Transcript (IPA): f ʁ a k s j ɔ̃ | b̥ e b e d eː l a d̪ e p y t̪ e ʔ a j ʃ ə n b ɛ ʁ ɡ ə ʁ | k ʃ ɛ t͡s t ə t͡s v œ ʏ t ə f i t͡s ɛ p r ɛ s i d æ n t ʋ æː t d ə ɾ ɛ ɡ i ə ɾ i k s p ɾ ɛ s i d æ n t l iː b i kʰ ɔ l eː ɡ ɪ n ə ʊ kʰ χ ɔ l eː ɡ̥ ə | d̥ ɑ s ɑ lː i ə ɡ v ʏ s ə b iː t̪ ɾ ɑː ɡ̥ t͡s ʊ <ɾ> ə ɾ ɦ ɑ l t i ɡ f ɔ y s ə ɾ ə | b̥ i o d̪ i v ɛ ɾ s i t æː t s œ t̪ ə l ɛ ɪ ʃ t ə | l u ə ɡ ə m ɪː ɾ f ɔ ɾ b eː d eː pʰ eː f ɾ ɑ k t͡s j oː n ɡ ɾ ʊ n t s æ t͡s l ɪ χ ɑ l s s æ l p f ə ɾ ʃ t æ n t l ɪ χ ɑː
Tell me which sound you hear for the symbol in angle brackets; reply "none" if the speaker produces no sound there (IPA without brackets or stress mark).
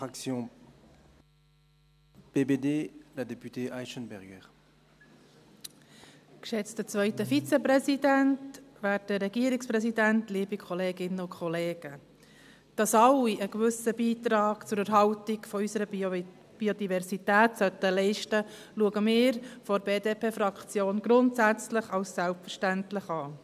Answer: ɾ